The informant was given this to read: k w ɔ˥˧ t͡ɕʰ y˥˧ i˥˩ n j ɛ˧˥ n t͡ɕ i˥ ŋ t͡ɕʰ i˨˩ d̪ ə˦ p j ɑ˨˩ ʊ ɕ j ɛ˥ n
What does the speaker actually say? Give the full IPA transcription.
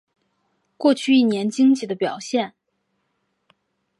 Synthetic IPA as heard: k w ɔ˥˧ t͡ɕʰ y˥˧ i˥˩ n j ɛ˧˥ n t͡ɕ i˥ ŋ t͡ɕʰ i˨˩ d̪ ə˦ p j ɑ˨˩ ʊ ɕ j ɛ˥˩ n